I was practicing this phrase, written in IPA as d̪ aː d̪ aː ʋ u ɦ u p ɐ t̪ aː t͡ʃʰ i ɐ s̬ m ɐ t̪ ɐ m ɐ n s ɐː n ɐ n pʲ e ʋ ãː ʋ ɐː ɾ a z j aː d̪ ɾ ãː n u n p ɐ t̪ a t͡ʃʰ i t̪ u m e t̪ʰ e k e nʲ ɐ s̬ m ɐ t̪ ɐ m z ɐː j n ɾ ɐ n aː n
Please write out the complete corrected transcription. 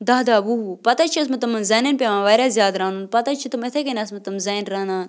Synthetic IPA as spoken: d̪ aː d̪ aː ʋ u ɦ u p ɐ t̪ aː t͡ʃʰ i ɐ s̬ m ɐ t̪ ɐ m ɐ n z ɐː n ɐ n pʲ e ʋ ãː ʋ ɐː ɾ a z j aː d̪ ɾ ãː n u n p ɐ t̪ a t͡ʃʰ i t̪ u m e t̪ʰ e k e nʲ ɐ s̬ m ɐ t̪ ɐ m z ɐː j n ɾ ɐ n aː n